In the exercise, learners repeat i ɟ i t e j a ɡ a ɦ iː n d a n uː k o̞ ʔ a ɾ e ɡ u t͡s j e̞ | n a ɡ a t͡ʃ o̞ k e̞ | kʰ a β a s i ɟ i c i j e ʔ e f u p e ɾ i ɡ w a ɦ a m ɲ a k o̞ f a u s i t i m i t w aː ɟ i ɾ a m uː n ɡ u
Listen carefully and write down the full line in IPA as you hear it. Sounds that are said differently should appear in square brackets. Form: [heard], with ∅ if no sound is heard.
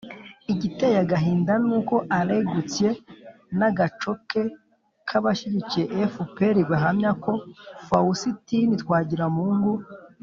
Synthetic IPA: i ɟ i t e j a ɡ a ɦ iː n d a n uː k o̞ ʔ a ɾ e ɡ u t͡s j e̞ | n a ɡ a t͡ʃ o̞ k e̞ | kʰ a β a [ʃ] i ɟ i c i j e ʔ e f u p e ɾ i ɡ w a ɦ a m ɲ a k o̞ f a u s i t i [n] i t w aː ɟ i ɾ a m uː [ŋ] ɡ u